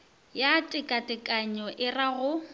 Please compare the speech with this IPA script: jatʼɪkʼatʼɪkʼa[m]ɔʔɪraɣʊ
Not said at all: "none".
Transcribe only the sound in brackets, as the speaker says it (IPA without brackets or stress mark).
ɲ